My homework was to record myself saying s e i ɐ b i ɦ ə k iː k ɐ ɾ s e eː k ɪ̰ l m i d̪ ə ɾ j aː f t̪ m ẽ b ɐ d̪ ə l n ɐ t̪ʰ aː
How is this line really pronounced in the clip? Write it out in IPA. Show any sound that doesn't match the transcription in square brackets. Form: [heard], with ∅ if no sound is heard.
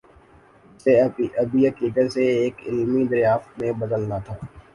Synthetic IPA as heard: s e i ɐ b i ɦ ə k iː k [ə] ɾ s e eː k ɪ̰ l m i d̪ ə ɾ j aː f t̪ m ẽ b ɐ d̪ ə l n [a] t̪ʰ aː